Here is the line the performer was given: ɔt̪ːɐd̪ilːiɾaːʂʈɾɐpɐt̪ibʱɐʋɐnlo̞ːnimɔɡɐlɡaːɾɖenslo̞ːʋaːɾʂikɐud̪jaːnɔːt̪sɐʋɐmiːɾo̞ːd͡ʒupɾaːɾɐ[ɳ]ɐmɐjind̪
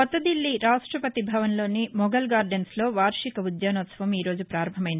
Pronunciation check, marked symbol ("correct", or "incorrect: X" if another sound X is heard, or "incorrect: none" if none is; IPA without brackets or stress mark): incorrect: m